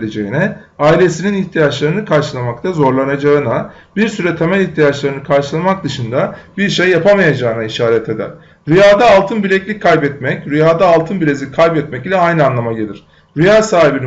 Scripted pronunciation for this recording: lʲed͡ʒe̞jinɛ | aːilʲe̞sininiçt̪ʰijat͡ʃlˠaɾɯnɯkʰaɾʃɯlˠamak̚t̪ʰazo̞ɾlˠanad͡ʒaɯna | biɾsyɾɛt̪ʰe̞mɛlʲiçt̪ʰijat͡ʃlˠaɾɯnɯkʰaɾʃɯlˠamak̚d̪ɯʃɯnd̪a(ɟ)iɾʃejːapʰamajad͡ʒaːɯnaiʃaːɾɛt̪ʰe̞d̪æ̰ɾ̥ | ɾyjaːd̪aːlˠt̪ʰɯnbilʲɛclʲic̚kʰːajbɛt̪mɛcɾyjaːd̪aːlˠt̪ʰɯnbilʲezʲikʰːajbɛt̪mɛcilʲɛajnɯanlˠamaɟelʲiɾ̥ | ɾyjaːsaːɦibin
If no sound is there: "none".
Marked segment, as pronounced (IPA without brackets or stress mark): b